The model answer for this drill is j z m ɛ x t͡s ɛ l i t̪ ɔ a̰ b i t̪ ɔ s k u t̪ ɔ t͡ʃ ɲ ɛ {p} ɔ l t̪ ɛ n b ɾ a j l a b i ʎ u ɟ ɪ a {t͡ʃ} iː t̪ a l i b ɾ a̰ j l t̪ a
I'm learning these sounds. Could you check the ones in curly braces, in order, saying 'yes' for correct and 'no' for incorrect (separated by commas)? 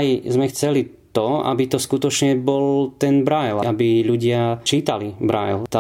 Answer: no, yes